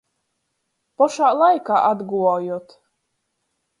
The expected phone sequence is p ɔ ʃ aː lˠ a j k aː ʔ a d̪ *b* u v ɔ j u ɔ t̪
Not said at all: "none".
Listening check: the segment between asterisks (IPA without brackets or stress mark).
ɡ